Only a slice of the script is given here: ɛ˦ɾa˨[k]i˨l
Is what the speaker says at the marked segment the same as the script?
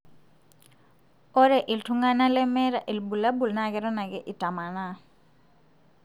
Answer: no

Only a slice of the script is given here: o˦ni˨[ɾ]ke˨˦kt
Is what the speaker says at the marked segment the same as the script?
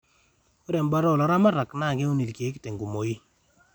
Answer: no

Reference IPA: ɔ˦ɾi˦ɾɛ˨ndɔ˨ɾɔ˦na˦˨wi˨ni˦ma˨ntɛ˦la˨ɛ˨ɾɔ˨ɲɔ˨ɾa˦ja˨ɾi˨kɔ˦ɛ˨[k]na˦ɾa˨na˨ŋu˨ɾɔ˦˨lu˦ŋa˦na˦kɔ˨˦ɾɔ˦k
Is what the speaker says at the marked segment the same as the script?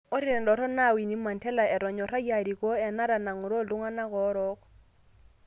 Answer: no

